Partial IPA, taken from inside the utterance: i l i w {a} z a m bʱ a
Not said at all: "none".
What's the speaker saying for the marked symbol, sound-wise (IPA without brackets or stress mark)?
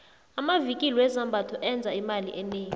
ɛ